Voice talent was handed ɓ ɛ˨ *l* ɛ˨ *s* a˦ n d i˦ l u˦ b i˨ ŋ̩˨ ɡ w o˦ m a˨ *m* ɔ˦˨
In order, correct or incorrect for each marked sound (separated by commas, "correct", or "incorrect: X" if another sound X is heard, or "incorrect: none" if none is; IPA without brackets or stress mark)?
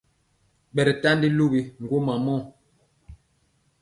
incorrect: ɾ, incorrect: t, correct